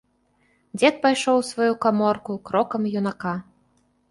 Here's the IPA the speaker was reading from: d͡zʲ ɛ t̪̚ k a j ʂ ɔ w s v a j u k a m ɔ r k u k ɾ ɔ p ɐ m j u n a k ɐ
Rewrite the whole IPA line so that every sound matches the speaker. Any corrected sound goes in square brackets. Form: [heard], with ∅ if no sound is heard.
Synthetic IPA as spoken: d͡zʲ ɛ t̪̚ [p] a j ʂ ɔ w s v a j u k a m ɔ r k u k ɾ ɔ [k] ɐ m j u n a k [a]